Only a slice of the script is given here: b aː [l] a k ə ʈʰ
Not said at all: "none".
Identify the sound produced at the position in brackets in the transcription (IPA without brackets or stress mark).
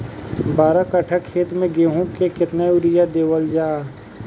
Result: ɾ